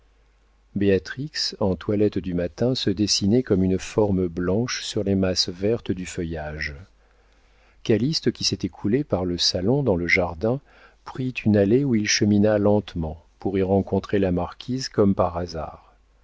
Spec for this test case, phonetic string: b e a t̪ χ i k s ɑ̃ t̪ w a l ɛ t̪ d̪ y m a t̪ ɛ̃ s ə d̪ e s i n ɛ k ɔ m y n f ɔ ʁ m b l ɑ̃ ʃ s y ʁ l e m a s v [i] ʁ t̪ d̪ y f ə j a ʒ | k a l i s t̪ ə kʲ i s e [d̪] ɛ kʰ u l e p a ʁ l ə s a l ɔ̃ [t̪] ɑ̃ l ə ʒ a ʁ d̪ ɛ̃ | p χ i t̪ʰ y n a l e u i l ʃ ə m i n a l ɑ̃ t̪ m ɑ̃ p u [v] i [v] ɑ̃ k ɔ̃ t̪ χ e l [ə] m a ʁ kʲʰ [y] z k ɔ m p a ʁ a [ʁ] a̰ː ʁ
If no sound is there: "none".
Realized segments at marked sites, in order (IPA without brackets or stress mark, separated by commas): ɛ, t̪, d̪, ʁ, ʁ, a, i, z